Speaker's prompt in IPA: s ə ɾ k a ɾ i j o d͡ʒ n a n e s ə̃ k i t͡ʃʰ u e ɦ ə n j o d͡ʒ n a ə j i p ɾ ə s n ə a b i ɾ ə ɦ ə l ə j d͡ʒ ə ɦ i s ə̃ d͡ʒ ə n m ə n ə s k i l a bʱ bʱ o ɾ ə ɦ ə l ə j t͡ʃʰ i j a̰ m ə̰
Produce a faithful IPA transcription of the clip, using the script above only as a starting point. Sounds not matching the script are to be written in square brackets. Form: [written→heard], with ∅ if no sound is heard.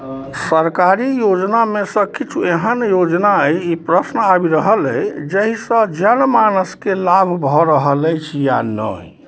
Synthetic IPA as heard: s ə ɾ k a ɾ i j o d͡ʒ n a [n→m] e s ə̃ k i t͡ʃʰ u e ɦ ə n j o d͡ʒ n a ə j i p ɾ ə s n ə a b i ɾ ə ɦ ə l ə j d͡ʒ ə ɦ i s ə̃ d͡ʒ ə n m [ə→a] n ə s k [i→e] l a bʱ bʱ [o→ɔ] ɾ ə ɦ ə l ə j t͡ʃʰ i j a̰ [m→n] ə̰